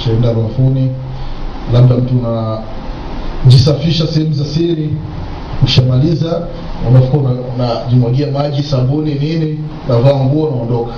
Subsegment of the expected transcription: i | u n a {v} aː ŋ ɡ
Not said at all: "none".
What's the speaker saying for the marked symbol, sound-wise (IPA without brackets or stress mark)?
v